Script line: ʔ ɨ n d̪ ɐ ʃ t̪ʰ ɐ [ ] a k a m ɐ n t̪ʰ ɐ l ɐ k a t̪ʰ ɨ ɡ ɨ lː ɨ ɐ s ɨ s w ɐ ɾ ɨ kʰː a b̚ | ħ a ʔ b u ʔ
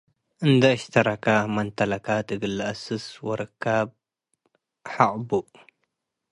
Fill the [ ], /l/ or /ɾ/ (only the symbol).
ɾ